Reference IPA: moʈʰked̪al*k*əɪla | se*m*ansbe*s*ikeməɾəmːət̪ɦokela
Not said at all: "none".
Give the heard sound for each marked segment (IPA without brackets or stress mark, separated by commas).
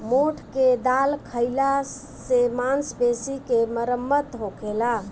kʰ, m, s